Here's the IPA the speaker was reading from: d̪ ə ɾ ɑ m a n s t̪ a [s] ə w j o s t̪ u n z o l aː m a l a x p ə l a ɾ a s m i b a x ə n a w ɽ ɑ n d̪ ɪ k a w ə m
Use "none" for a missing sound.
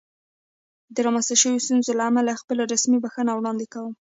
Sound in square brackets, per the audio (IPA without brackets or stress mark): ʃ